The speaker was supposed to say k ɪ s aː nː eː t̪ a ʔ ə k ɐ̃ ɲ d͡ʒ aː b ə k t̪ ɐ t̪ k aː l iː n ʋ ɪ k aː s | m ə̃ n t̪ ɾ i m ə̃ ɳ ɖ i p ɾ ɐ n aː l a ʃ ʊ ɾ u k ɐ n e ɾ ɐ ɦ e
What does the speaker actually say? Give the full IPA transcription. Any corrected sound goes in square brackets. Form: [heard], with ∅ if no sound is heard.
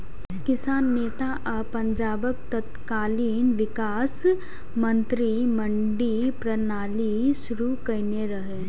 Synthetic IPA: k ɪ s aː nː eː t̪ a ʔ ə [p] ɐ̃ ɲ d͡ʒ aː b ə k t̪ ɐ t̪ k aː l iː n ʋ ɪ k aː s | m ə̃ n t̪ ɾ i m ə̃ ɳ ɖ i p ɾ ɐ n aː l [i] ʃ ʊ ɾ u k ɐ n e ɾ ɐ ɦ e